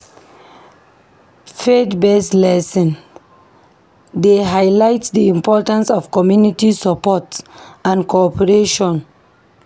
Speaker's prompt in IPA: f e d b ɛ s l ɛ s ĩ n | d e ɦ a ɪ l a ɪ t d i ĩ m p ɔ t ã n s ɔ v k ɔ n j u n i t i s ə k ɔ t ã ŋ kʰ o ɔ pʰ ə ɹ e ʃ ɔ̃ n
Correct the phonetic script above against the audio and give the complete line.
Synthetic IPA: f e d b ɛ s l ɛ s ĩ n | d e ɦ a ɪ l a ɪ t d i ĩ m p ɔ t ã n s ɔ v k ɔ m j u n i t i s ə p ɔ t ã n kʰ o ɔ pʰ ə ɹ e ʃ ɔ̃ n